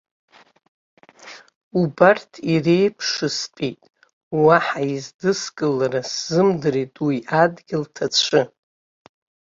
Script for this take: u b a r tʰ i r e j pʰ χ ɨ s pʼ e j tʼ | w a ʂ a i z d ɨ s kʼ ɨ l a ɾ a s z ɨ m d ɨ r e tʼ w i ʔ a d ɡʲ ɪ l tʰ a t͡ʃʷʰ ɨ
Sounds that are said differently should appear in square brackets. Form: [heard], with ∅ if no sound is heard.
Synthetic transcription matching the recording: u b a r tʰ i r e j pʰ [ʂ] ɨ s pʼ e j tʼ | w a [ħ] a i z d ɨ s kʼ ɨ l a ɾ a s z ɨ m d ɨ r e tʼ w i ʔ a d ɡʲ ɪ l tʰ a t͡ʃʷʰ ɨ